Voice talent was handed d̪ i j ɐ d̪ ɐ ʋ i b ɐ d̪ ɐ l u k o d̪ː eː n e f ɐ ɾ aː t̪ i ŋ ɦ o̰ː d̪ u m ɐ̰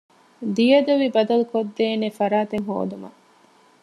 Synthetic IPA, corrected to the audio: d̪ i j ɐ d̪ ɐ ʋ i b ɐ d̪ ɐ l u k o d̪ː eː n e f ɐ ɾ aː t̪ e ŋ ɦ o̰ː d̪ u m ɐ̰